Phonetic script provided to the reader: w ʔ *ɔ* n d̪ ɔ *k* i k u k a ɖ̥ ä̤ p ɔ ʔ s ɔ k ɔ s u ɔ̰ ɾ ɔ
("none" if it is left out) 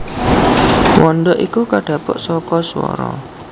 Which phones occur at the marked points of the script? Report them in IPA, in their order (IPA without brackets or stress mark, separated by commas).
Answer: ɔ, ʔ